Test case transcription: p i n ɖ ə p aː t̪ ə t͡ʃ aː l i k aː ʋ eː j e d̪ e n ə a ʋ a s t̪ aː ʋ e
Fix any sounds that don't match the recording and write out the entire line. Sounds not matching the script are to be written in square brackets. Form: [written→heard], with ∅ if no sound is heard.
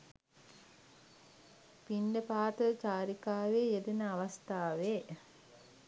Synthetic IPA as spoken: p i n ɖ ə p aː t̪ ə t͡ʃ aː [l→ɾ] i k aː ʋ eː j e d̪ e n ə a ʋ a s t̪ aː ʋ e